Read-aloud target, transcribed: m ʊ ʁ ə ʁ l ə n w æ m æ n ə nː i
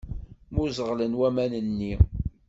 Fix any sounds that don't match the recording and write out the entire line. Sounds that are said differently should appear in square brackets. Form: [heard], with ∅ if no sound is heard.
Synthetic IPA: m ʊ [z] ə ʁ l ə n w æ m æ n ə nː i